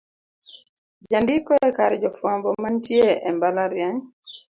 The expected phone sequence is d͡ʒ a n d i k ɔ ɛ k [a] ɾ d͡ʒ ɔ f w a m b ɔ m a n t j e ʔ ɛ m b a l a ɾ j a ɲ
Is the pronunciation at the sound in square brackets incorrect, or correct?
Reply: correct